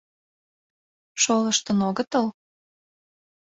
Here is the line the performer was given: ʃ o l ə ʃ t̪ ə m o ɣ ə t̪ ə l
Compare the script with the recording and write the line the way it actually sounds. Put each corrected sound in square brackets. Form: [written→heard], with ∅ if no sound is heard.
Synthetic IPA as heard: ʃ o l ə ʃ t̪ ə [m→n] o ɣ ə t̪ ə l